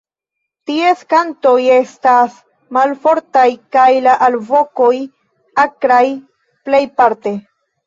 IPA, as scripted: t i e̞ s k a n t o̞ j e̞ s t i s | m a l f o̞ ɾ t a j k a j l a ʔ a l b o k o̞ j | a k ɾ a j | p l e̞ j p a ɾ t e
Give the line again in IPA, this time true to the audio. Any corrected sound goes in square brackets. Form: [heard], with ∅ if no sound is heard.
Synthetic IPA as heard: t i e̞ s k a n t o̞ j e̞ s t [a] s | m a l f o̞ ɾ t a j k a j l a ʔ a l [v] o k o̞ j | a k ɾ a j | p l e̞ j p a ɾ t e